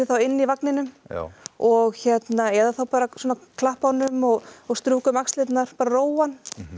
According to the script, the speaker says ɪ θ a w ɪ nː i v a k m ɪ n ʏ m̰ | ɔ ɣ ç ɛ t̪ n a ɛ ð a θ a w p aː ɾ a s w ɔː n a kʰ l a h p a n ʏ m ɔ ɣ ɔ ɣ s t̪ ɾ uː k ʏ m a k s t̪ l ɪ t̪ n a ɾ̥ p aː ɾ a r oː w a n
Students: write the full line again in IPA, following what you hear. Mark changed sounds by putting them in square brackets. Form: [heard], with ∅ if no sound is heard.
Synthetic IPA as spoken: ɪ θ a w ɪ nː i v a k [n] ɪ n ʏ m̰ | ɔ ɣ ç ɛ t̪ n a ɛ ð a θ a w p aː ɾ a s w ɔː n a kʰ l a h p a n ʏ m ɔ ɣ ɔ ɣ s t̪ ɾ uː k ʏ m a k s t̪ l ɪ t̪ n a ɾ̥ p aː ɾ a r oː w a n